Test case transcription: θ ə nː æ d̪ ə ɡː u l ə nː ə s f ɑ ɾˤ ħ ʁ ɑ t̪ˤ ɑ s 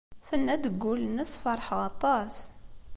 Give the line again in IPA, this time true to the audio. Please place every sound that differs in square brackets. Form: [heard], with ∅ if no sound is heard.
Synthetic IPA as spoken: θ ə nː æ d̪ ə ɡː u l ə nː ə s f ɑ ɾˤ ħ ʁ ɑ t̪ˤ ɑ s